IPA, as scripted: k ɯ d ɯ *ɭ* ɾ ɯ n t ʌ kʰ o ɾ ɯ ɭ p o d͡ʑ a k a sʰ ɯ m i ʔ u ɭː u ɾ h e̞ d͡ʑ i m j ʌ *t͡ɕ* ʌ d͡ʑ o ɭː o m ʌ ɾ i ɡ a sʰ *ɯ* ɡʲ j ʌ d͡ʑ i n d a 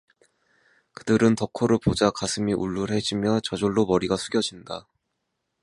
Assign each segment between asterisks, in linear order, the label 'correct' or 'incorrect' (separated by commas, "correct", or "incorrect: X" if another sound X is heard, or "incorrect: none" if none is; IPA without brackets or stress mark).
incorrect: none, correct, incorrect: u